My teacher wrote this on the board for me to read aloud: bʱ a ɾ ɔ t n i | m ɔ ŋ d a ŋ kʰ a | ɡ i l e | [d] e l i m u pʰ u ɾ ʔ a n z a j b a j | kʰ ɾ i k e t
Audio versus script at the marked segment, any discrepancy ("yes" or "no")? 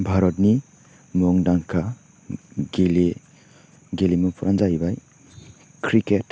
yes